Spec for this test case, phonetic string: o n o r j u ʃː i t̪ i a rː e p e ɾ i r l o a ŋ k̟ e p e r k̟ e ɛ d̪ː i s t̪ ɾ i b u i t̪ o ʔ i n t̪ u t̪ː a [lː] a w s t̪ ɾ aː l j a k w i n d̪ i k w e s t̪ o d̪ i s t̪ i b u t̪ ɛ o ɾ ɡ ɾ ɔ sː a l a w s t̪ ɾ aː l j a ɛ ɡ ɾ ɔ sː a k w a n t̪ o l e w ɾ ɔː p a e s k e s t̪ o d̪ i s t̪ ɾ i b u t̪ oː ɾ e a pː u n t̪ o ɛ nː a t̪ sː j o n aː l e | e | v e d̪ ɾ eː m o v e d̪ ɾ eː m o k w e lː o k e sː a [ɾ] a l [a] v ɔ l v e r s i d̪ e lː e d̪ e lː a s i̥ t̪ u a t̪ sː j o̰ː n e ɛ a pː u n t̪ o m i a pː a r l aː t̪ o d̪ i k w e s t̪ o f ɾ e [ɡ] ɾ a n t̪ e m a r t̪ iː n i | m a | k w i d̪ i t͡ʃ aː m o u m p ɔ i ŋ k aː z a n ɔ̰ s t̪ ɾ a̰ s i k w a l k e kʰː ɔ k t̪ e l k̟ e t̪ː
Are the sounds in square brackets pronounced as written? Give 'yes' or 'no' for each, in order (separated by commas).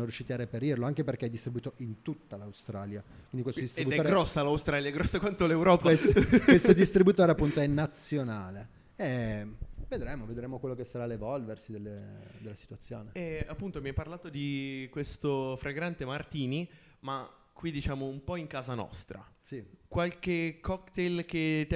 no, yes, no, yes